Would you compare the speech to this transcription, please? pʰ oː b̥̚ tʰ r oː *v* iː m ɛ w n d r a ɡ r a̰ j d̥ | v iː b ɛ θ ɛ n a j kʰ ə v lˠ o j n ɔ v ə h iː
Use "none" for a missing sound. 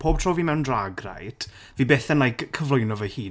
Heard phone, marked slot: v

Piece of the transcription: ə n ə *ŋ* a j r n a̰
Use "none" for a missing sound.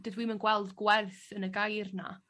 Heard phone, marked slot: ɡ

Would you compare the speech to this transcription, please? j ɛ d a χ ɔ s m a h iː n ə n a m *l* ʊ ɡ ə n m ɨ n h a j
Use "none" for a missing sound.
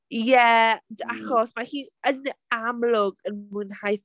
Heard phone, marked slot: l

